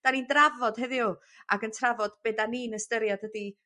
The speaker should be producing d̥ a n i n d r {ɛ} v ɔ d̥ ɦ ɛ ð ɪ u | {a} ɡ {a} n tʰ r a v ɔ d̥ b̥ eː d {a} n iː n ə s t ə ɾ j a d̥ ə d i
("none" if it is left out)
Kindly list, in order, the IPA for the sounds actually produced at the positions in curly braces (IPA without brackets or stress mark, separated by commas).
a, a, ə, a